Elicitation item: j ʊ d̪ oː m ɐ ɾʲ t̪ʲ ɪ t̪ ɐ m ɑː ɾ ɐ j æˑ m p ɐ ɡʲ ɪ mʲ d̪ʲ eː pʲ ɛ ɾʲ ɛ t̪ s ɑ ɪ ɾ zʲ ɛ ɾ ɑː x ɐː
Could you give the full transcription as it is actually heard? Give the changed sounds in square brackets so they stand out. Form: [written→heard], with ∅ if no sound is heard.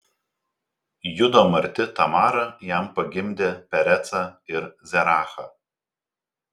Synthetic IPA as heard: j ʊ d̪ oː m ɐ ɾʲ t̪ʲ ɪ t̪ ɐ m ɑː ɾ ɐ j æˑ m p ɐ ɡʲ ɪ mʲ d̪ʲ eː pʲ ɛ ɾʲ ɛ t̪ s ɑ ɪ ɾ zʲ ɛ ɾ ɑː x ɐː